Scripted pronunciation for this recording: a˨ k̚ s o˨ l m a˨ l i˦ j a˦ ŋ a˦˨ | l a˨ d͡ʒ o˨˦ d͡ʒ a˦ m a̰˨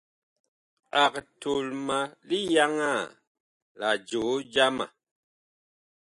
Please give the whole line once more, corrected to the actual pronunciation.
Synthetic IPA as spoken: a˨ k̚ t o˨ l m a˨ l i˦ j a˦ ŋ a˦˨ | l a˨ d͡ʒ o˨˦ d͡ʒ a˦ m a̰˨

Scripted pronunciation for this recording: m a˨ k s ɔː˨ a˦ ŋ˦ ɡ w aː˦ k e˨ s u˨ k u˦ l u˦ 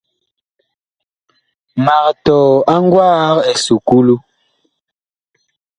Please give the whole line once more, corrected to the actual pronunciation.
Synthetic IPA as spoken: m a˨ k t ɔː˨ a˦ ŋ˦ ɡ w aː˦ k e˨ s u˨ k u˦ l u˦

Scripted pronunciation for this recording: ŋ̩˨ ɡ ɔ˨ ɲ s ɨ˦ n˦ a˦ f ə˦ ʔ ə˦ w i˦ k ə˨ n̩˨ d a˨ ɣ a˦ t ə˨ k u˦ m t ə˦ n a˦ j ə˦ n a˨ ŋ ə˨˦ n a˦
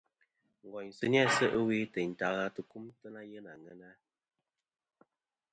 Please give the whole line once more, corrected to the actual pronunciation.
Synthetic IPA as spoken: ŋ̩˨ ɡ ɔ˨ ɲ s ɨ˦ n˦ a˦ s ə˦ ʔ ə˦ w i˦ t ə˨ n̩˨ t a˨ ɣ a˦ t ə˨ k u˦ m t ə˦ n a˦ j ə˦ n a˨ ŋ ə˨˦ n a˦

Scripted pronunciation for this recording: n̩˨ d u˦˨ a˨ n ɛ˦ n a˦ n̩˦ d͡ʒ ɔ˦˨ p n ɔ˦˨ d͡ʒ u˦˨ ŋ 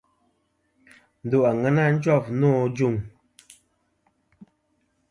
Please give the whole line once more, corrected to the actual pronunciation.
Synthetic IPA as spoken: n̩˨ d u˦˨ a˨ ŋ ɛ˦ n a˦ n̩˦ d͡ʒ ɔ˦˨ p n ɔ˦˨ d͡ʒ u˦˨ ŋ

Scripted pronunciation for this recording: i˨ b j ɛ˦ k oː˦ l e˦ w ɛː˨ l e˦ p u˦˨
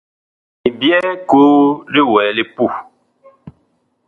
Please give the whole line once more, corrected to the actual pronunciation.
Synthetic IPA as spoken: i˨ b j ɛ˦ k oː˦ l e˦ w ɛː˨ l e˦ p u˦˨

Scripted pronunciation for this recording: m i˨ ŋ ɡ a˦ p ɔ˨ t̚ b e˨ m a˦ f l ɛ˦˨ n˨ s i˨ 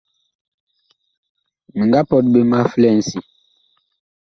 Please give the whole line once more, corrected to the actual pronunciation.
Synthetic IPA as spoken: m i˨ ŋ ɡ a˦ p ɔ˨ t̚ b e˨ m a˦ f l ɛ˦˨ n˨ s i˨

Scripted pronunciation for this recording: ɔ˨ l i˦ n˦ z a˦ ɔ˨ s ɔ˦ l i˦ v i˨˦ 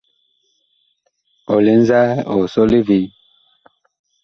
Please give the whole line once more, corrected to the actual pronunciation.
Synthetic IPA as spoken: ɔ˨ l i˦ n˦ z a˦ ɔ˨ s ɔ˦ l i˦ v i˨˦

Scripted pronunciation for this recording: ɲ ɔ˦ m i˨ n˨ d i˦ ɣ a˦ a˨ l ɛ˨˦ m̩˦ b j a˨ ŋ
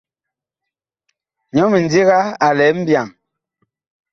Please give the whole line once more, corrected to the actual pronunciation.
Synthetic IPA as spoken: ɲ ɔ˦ m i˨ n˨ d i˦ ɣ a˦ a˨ l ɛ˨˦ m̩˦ b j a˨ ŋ

